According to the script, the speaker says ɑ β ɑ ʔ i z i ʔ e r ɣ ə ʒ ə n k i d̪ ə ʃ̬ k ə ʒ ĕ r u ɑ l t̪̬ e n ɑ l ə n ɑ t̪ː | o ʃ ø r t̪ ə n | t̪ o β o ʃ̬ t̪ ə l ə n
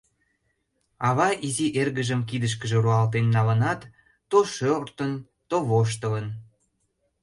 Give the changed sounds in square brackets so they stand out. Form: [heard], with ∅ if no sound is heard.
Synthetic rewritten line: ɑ β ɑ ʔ i z i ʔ e r ɣ ə ʒ ə [m] k i d̪ ə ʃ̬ k ə ʒ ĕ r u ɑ l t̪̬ e [nː] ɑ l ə n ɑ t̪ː | o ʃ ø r t̪ ə n | t̪ o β o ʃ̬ t̪ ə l ə n